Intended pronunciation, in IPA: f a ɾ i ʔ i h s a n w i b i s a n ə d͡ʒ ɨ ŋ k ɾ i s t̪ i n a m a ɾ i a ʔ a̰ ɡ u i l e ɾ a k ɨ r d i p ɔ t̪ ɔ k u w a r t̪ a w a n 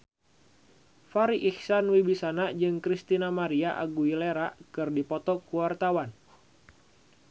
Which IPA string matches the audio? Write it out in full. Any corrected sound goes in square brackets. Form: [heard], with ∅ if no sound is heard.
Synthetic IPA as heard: f a ɾ i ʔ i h s a n w i b i s a n [a] d͡ʒ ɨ ŋ k ɾ i s t̪ i n a m a ɾ i a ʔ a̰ ɡ u i l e ɾ a k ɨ r d i p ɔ t̪ ɔ k u w a r t̪ a w a n